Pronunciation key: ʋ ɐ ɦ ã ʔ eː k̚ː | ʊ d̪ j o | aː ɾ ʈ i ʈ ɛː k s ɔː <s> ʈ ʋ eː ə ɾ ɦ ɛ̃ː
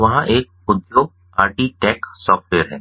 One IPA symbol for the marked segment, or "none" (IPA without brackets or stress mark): f